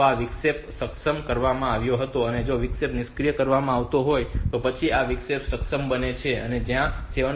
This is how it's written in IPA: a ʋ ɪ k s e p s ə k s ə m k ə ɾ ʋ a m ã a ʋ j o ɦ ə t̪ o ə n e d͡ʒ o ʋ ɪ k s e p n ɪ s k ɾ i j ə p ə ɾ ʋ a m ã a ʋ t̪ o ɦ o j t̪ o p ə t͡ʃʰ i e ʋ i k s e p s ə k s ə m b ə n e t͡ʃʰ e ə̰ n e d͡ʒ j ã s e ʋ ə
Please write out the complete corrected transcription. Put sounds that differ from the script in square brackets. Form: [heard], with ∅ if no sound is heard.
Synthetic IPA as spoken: a ʋ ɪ k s e p s ə k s ə m k ə ɾ ʋ a m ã a ʋ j o ɦ ə t̪ o ə n e d͡ʒ o ʋ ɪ k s e p n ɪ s k ɾ i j ə [k] ə ɾ ʋ a m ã a ʋ t̪ o ɦ o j t̪ o p ə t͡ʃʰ i [a] ʋ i k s e p s ə k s ə m b ə n e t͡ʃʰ e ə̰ n e d͡ʒ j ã s e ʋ ə